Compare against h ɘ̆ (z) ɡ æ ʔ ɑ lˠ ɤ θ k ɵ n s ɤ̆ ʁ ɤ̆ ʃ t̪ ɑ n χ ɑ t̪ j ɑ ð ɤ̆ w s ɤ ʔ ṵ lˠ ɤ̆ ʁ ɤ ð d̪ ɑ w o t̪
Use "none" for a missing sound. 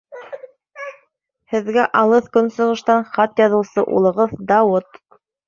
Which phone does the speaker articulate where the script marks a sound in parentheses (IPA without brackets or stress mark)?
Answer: ð